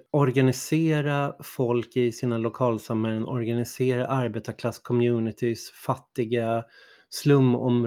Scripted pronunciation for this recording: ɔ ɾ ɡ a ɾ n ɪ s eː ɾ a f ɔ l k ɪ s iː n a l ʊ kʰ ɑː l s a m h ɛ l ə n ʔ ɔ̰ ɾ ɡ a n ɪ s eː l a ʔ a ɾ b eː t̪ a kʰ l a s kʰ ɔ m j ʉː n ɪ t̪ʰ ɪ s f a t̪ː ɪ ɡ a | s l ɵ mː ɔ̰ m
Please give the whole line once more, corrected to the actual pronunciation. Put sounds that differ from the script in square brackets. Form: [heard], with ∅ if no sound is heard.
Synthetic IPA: ɔ ɾ ɡ a [∅] n ɪ s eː ɾ a f ɔ l k ɪ s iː n a l ʊ kʰ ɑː l s a m h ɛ l ə n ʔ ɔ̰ ɾ ɡ a n ɪ s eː [ɾ] a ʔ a ɾ b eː t̪ a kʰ l a s kʰ ɔ m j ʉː n ɪ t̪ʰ ɪ s f a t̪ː ɪ ɡ a | s l ɵ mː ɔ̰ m